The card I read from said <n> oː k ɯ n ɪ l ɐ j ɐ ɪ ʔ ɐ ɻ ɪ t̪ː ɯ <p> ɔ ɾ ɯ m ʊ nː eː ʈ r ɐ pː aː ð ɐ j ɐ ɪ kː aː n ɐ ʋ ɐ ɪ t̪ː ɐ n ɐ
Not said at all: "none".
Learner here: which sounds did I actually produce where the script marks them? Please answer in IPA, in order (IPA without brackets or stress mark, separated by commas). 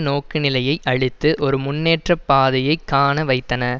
n, ʔ